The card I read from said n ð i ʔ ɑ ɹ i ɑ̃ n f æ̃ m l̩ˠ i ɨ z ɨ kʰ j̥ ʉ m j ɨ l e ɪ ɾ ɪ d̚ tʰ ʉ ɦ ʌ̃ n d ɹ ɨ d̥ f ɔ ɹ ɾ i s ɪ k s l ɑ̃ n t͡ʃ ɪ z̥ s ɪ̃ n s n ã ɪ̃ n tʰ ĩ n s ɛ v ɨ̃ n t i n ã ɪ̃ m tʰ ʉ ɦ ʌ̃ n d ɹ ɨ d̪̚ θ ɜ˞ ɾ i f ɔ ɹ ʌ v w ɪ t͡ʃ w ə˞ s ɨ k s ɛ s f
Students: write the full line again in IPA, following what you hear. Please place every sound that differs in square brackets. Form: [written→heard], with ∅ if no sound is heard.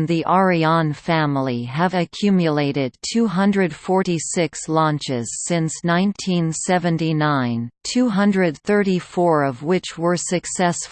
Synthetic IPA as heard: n ð i ʔ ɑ ɹ i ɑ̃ n f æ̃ m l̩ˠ i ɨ [z→v] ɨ kʰ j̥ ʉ m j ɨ l e ɪ ɾ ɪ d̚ tʰ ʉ ɦ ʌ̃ n d ɹ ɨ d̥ f ɔ ɹ ɾ i s ɪ k s l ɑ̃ n t͡ʃ ɪ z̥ s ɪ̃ n s n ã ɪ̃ n tʰ ĩ n s ɛ v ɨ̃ n t i n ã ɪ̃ [m→n] tʰ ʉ ɦ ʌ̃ n d ɹ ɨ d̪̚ θ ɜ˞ ɾ i f ɔ ɹ ʌ v w ɪ t͡ʃ w ə˞ s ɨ k s ɛ s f